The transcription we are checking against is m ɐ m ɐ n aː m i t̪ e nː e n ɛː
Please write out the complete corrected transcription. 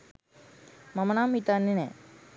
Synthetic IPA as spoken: m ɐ m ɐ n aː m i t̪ a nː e n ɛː

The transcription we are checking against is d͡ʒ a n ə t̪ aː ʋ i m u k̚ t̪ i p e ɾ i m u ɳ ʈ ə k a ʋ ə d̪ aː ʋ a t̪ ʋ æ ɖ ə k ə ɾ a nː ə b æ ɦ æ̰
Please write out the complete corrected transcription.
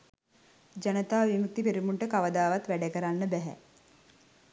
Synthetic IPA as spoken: d͡ʒ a n ə t̪ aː ʋ i m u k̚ t̪ i p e ɾ i m u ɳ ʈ ə k a ʋ ə d̪ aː ʋ a t̪ ʋ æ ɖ ə k ə ɾ a nː ə b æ ɦ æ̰

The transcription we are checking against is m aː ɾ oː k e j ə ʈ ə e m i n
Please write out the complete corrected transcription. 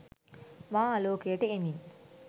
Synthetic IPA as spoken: m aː l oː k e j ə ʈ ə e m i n

